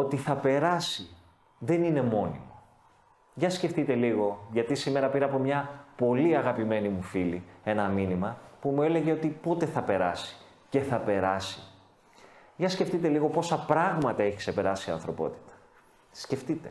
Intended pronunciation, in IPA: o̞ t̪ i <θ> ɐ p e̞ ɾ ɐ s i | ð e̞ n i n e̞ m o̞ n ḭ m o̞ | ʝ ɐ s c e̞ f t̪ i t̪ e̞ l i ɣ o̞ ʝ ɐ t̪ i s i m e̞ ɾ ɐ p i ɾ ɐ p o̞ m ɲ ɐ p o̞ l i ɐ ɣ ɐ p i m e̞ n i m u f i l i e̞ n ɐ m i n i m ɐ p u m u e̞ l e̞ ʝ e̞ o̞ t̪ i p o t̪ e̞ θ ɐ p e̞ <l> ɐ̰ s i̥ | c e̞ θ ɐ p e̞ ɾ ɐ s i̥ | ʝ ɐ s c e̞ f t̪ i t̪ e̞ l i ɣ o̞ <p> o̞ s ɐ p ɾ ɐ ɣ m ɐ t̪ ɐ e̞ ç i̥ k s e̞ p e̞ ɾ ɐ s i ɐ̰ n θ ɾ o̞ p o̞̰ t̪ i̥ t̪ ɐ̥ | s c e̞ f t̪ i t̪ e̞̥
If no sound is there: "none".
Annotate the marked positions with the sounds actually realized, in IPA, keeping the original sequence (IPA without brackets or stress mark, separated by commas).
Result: θ, ɾ, p